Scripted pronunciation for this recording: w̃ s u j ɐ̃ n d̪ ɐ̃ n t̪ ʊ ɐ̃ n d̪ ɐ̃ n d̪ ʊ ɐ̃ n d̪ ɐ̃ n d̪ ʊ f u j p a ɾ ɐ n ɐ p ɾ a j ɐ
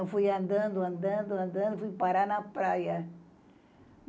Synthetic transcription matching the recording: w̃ f u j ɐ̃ n d̪ ɐ̃ n d̪ ʊ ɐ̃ n d̪ ɐ̃ n d̪ ʊ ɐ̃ n d̪ ɐ̃ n d̪ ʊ f u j p a ɾ a n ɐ p ɾ a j ɐ